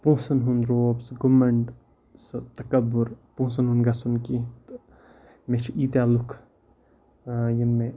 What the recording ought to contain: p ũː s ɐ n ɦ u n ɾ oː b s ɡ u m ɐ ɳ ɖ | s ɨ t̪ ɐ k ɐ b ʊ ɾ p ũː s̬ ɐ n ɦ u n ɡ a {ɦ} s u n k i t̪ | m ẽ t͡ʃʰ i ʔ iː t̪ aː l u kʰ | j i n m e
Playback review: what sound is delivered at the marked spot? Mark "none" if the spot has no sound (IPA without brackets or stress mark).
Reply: none